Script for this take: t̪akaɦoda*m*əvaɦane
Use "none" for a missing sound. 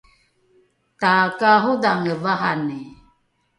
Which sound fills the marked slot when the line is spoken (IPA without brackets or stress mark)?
ŋ